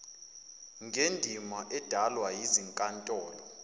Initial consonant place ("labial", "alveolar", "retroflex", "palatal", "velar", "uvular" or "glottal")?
velar